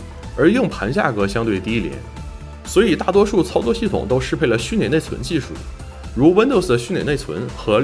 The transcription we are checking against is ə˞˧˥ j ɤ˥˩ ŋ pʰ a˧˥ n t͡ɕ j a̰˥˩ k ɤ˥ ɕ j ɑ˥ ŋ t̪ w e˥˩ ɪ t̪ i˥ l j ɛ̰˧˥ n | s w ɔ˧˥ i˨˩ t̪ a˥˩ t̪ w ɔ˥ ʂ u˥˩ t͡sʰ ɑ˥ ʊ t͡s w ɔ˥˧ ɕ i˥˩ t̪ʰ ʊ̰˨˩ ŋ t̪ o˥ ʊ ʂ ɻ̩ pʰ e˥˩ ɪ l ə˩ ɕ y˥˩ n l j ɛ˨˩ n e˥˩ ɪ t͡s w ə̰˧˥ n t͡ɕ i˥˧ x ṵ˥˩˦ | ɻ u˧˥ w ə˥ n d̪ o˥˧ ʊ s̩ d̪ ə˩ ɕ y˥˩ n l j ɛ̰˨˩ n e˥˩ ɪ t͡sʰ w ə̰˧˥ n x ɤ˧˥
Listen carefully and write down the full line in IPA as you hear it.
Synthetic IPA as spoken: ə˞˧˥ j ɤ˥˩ ŋ pʰ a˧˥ n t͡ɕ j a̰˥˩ k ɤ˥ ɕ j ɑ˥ ŋ t̪ w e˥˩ ɪ t̪ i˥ l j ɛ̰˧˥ n | s w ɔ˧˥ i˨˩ t̪ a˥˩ t̪ w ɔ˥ ʂ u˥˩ t͡sʰ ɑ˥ ʊ t͡s w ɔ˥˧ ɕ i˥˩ t̪ʰ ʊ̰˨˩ ŋ t̪ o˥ ʊ ʂ ɻ̩ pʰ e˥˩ ɪ l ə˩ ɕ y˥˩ n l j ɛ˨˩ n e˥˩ ɪ t͡sʰ w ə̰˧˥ n t͡ɕ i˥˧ ʂ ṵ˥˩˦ | ɻ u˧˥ w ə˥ n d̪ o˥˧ ʊ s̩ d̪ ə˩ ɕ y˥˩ n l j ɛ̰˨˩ n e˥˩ ɪ t͡sʰ w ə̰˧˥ n x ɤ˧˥